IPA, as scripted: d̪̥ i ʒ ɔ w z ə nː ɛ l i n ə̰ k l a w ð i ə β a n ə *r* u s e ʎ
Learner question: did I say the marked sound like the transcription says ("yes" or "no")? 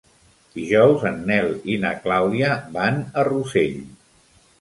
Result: yes